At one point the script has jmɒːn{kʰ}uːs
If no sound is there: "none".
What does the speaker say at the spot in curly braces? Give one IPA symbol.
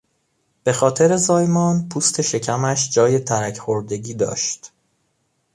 pʰ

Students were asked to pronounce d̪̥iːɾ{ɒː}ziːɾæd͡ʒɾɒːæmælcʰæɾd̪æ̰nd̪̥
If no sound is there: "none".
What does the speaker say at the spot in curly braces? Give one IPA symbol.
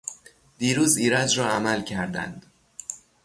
uː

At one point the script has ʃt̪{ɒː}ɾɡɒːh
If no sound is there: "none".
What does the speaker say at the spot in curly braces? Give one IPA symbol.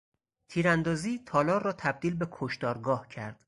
ɒː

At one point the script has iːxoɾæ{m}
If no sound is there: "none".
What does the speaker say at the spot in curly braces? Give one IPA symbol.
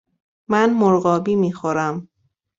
m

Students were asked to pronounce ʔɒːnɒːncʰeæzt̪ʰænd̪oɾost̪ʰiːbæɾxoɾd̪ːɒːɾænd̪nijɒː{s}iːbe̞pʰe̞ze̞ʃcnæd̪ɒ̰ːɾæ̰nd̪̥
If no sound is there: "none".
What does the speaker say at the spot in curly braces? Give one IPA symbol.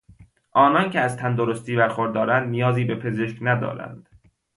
z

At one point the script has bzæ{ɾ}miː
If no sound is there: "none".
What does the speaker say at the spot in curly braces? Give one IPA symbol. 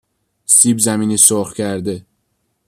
none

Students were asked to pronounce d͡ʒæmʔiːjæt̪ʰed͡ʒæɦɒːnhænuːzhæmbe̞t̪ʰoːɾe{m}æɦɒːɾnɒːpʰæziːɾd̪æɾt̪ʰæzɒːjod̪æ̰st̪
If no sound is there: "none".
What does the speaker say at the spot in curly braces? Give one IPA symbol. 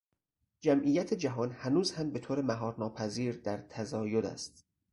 m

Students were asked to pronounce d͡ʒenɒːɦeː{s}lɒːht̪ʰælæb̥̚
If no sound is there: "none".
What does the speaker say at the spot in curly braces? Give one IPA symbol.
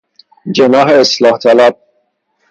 s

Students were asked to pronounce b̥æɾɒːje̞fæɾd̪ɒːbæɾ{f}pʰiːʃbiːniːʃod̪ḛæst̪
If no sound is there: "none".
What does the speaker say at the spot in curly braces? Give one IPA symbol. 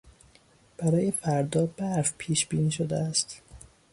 f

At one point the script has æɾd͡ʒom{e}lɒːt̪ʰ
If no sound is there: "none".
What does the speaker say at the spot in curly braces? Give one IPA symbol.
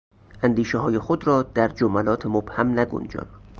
æ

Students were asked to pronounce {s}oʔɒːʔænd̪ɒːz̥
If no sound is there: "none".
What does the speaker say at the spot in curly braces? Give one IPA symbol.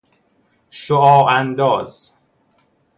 ʃ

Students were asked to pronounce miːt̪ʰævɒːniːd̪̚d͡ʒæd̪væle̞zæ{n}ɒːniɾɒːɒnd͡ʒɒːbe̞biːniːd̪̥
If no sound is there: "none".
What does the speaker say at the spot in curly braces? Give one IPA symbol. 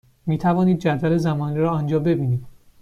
m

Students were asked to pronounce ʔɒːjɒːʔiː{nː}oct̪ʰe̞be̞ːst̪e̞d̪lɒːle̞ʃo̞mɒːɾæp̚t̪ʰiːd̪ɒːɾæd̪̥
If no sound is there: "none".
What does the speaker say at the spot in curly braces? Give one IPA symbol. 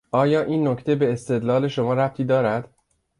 nː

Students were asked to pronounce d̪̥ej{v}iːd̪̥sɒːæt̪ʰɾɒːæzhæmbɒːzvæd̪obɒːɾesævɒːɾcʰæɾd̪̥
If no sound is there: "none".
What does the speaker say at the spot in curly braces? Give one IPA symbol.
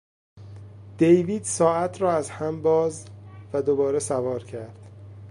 v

